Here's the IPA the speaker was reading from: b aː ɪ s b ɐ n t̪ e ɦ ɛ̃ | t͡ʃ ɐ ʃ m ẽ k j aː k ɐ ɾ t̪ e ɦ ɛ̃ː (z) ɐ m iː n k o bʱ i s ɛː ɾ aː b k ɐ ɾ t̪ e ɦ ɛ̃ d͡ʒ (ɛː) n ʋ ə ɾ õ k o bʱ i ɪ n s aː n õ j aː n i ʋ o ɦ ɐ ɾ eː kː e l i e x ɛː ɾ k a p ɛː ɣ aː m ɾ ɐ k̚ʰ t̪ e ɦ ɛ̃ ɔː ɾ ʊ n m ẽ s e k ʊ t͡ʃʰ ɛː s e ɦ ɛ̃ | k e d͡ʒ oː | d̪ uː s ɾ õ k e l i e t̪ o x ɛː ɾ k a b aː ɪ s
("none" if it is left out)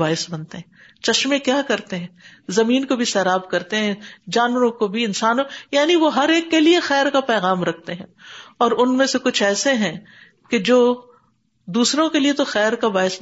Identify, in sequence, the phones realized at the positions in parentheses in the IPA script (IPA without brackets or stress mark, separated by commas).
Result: z, aː